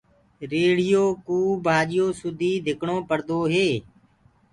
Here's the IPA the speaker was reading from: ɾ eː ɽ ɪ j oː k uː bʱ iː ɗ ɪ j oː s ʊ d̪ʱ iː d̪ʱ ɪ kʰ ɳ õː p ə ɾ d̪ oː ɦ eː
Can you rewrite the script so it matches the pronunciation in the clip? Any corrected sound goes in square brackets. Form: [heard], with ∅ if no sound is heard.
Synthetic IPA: ɾ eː ɽ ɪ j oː k uː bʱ [aː] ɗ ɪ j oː s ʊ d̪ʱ iː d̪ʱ ɪ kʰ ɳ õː p ə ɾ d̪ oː ɦ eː